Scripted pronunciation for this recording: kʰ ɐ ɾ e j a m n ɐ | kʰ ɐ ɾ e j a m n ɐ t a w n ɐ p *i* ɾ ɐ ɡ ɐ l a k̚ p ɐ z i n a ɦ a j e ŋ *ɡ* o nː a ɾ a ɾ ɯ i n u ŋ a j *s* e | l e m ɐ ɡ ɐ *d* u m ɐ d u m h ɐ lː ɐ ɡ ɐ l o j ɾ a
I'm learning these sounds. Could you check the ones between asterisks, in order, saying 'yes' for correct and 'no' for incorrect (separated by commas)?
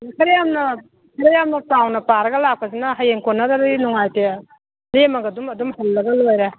no, no, no, yes